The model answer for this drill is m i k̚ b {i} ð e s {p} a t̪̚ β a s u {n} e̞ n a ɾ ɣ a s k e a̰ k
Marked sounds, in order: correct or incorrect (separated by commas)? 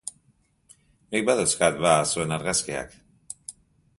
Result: incorrect, incorrect, incorrect